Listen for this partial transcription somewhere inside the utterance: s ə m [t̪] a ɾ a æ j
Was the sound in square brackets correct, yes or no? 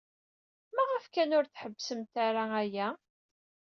yes